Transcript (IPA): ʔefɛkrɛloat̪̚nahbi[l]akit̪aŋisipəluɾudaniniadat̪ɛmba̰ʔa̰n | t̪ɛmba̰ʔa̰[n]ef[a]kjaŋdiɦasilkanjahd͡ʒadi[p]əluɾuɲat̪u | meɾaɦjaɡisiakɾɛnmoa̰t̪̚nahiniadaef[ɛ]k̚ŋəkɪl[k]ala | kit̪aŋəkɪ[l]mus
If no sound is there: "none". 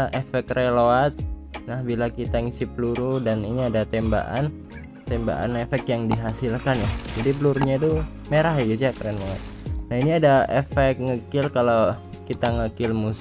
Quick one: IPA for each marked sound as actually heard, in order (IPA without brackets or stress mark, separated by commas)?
l, n, ɛ, p, ɛ, k, l